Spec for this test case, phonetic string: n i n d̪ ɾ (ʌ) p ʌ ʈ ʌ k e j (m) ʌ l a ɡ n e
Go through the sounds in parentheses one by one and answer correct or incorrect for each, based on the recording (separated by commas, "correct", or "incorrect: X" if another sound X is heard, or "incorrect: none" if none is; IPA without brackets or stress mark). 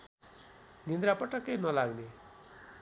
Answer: incorrect: a, incorrect: n